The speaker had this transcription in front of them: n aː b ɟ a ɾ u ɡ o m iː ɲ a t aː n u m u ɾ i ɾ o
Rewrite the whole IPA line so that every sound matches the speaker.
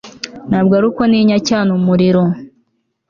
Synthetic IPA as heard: n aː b ɡ a ɾ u k o n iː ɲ a c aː n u m u ɾ i ɾ o

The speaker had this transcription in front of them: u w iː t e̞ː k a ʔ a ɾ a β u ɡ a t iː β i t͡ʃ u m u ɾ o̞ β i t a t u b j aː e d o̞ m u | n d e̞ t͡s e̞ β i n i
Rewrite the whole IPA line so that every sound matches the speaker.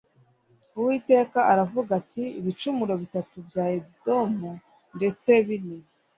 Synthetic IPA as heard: u w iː t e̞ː k a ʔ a ɾ a v u ɡ a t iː β i t͡ʃ u m u ɾ o̞ β i t a t u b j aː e d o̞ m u | n d e̞ t͡s e̞ β i n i

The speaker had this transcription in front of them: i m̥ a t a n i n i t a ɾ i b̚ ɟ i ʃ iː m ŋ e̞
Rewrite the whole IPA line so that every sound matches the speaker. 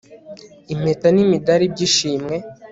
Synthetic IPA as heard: i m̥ e t a n i m i d a ɾ i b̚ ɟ i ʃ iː m ŋ e̞

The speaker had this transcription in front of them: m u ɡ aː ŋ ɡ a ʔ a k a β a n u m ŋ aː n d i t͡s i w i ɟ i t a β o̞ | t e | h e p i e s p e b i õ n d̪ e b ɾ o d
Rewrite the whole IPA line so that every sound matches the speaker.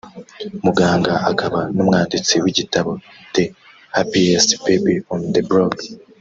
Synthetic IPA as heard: m u ɡ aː ŋ ɡ a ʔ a k a β a n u m ŋ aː n d i t͡s i w i ɟ i t a β o̞ | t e | h a p i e s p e b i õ n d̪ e b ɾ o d

